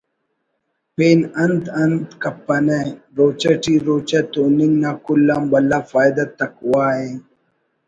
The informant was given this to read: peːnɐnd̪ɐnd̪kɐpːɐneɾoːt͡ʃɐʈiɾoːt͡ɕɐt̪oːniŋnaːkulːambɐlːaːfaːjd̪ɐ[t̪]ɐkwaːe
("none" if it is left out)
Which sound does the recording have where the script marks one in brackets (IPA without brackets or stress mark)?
t̪